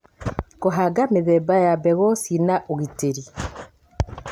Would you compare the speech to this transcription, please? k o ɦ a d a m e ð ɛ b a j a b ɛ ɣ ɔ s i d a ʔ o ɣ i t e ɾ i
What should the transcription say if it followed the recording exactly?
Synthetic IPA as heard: k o ɦ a ɡ a m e ð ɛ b a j a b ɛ ɣ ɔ s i n a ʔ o ɣ i t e ɾ i